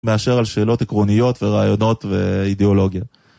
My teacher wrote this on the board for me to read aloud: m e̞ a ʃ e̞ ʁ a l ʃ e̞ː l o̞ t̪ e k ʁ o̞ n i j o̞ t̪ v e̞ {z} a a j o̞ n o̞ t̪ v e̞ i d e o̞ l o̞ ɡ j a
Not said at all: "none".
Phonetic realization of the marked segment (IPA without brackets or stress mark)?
ʁ